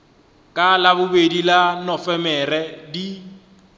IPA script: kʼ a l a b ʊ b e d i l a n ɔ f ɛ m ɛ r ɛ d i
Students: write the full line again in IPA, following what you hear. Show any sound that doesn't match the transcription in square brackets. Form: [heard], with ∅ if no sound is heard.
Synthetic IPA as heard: kʼ a l a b ʊ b e d i l a n ɔ f ɛ m ɛ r ɛ d i